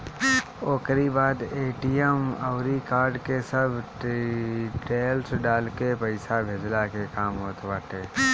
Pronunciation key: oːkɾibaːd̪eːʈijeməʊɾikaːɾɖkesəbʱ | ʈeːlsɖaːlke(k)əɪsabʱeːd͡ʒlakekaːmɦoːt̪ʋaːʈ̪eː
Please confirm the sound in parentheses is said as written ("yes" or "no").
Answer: no